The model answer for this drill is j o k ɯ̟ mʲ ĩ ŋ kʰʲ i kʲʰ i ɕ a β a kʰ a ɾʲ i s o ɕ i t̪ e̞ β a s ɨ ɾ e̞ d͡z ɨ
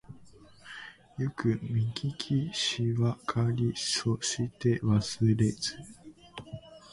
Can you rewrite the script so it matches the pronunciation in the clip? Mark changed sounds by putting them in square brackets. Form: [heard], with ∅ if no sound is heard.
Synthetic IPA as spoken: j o k ɯ̟ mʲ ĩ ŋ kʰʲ i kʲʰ i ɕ [i] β a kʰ a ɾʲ i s o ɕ i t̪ e̞ β a s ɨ ɾ e̞ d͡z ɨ